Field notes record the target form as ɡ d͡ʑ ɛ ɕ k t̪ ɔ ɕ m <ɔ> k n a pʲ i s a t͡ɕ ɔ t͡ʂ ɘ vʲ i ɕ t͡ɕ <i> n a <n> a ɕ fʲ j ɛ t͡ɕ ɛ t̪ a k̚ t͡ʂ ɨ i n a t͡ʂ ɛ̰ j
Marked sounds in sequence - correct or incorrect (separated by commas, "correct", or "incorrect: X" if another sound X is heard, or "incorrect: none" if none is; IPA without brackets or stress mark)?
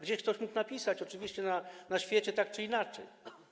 incorrect: u, incorrect: ɛ, correct